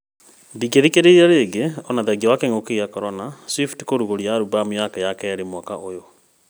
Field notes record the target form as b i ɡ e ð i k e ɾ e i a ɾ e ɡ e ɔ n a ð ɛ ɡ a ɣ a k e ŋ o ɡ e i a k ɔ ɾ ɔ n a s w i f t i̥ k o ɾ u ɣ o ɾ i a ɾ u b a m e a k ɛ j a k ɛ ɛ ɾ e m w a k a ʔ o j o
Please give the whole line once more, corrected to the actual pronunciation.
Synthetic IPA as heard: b i ɡ e ð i k e ɾ e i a ɾ e ɡ e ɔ n a ð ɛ ɡ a w a k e ŋ o k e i a k ɔ ɾ ɔ n a s w i f t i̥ k o ɾ u ɣ o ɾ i a ɾ u b a m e a k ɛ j a k ɛ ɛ ɾ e m w a k a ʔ o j o